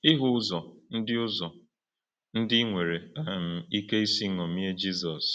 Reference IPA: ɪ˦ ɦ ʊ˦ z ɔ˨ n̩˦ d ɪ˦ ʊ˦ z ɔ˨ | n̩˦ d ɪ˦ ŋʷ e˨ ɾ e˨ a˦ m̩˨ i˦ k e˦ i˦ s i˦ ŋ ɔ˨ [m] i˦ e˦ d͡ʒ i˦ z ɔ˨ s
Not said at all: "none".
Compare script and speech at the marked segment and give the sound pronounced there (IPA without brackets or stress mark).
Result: m